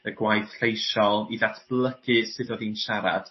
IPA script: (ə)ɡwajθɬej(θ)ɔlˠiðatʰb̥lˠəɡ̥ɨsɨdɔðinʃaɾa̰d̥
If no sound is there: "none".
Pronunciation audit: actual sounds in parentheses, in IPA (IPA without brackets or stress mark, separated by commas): ə, ʃ